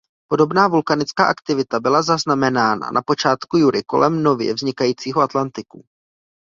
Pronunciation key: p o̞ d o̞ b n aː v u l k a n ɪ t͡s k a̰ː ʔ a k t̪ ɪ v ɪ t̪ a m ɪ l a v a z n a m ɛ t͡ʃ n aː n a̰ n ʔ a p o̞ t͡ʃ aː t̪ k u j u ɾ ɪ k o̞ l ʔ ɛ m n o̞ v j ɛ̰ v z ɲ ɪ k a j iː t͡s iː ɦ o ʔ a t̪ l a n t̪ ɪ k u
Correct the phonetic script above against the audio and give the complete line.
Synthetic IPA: p o̞ d o̞ b n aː v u l k a n ɪ t͡s k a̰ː ʔ a k t̪ ɪ v ɪ t̪ a b ɪ l a z a z n a m ɛ n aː n a̰ n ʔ a p o̞ t͡ʃ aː t̪ k u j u ɾ ɪ k o̞ l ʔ ɛ m n o̞ v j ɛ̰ v z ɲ ɪ k a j iː t͡s iː ɦ o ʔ a t̪ l a n t̪ ɪ k u